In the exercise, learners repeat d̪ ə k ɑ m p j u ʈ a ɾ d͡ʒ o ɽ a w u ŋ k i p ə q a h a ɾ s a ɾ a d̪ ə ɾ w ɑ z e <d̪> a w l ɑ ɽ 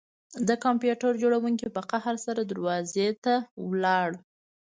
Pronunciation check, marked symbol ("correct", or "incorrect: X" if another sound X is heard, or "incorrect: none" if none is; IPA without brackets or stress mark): incorrect: t̪